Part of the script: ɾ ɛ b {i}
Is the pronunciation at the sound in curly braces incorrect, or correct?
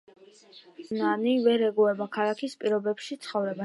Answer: incorrect